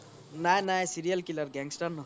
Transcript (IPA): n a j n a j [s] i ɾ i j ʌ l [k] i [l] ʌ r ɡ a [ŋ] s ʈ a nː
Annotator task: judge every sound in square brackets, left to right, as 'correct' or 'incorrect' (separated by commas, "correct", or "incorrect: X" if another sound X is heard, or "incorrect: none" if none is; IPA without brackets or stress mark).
correct, correct, correct, correct